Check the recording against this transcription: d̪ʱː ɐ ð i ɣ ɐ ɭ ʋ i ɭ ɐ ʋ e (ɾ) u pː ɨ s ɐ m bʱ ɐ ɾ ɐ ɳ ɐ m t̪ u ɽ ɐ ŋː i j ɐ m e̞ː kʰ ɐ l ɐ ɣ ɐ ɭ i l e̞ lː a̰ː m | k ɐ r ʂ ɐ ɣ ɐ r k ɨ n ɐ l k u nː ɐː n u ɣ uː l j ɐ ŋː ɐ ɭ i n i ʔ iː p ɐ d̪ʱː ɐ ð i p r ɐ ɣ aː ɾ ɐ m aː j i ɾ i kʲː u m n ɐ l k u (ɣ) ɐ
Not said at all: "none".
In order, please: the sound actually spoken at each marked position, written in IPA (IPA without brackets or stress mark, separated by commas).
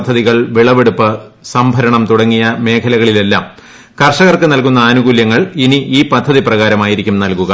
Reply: ɽ, ɣ